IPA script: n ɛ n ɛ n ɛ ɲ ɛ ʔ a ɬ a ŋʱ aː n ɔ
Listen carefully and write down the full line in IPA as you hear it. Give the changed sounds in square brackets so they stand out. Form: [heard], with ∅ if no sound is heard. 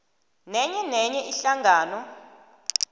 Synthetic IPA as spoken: n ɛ [ɲ] ɛ n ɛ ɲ ɛ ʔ [i] ɬ a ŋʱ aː n ɔ